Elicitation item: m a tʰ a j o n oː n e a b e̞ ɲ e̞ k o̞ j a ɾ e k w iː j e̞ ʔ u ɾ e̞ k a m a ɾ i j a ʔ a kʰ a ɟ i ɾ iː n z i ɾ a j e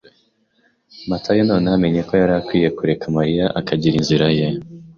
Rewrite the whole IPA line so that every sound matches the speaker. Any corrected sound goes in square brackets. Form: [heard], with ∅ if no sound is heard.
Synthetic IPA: m a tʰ a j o n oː n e a [m] e̞ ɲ e̞ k o̞ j a ɾ [a] k w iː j e̞ [k] u ɾ e̞ k a m a ɾ i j a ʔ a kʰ a ɟ i ɾ [i] n z i ɾ a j e